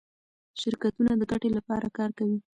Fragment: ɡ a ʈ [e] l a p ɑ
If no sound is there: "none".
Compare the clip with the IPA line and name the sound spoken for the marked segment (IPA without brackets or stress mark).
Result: e